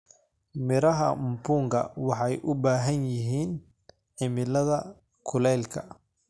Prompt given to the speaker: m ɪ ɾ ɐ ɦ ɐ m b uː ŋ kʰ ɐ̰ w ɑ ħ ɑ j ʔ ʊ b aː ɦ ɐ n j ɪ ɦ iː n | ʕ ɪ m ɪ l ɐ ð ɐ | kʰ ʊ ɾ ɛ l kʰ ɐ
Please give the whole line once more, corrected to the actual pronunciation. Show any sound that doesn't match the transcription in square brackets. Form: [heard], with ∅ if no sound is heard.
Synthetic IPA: m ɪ ɾ ɐ ɦ ɐ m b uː ŋ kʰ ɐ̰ w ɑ ħ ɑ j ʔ ʊ b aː ɦ ɐ n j ɪ ɦ iː n | ʕ ɪ m ɪ l ɐ ð ɐ | kʰ ʊ [l] ɛ l kʰ ɐ